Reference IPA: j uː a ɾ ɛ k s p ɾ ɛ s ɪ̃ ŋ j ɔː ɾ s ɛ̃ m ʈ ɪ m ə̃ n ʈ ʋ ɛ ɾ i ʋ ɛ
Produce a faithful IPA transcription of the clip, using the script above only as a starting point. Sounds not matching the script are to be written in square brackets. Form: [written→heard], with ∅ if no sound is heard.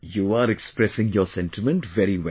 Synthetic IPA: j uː a ɾ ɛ k s p ɾ ɛ s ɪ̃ ŋ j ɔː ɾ s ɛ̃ [m→n] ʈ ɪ m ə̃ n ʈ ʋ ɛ ɾ i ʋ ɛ